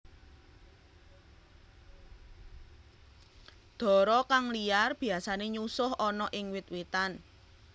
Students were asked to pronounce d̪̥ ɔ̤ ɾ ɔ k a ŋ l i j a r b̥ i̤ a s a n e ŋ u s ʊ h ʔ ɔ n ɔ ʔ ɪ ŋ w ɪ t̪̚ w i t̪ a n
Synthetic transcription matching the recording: d̪̥ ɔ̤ ɾ ɔ k a ŋ l i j a r b̥ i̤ a s a n e ɲ u s ʊ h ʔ ɔ n ɔ ʔ ɪ ŋ w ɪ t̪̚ w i t̪ a n